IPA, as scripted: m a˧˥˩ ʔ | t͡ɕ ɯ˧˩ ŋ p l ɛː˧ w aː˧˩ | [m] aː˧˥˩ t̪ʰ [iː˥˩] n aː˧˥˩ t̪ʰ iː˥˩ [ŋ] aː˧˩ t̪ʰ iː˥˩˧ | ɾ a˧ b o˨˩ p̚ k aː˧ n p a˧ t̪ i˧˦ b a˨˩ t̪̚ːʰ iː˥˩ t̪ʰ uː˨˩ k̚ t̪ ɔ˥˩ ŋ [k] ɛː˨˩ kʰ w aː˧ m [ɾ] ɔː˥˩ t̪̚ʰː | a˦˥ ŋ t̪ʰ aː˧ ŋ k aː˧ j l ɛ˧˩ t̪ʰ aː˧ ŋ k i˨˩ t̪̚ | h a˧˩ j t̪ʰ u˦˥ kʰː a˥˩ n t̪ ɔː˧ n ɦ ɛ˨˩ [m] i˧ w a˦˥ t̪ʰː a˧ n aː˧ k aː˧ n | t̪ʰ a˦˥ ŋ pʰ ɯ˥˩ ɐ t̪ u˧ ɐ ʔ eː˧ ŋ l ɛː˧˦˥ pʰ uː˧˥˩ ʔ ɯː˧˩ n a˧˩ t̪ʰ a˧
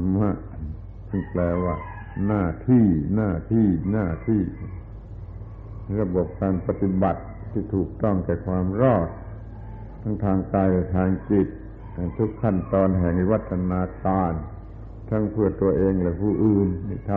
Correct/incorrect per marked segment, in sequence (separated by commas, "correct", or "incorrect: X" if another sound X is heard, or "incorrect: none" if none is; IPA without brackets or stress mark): incorrect: n, correct, incorrect: n, correct, correct, incorrect: ŋ